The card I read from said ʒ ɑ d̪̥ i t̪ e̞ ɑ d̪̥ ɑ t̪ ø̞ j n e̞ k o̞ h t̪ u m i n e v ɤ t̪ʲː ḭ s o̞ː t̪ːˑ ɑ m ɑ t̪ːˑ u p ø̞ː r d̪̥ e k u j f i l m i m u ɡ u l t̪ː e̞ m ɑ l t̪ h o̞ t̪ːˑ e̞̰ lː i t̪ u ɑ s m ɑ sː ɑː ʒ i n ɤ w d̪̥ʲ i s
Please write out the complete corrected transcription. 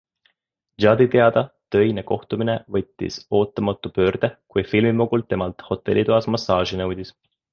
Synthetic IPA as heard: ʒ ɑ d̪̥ i t̪ e̞ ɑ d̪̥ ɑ t̪ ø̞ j n e̞ k o̞ h t̪ u m i n e v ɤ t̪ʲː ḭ s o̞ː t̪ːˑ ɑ m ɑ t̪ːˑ u p ø̞ː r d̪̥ e k u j f i l m i m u ɡ u l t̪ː e̞ m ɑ l t̪ h o̞ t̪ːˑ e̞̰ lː i t̪ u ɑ s m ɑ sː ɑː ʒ i n ɤ w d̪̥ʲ i s